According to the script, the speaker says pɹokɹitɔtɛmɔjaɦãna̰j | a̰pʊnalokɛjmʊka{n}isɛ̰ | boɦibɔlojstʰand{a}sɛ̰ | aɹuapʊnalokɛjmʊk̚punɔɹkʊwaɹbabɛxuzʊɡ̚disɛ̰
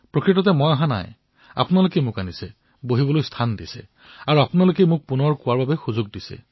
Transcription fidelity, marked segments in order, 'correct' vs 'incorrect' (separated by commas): correct, incorrect